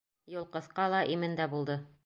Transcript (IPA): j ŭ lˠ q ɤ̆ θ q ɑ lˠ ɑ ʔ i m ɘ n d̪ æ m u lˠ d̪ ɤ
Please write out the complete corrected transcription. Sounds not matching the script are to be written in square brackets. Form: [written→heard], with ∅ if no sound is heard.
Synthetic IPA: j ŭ lˠ q ɤ̆ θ q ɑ lˠ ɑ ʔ i m ɘ n d̪ æ [m→b] u lˠ d̪ ɤ